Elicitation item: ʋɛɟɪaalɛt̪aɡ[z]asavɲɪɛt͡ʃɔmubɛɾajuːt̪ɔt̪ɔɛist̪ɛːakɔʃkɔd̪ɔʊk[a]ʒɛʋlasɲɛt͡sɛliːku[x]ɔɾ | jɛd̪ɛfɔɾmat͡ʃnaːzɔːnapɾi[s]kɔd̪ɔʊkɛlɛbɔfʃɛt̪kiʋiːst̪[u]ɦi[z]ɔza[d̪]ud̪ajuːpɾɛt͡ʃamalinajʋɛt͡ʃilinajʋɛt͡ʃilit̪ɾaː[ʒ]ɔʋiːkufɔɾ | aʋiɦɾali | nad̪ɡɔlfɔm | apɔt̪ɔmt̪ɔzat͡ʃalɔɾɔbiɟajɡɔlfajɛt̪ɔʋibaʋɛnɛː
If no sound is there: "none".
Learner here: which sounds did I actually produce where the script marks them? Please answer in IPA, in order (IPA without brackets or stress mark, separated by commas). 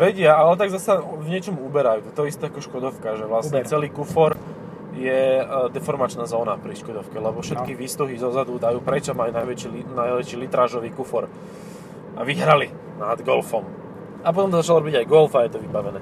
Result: z, a, f, ʃ, u, z, d̪, ʒ